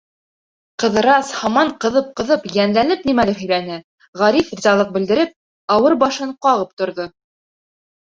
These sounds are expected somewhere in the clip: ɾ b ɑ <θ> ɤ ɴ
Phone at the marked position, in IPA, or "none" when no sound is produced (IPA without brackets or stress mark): ʃ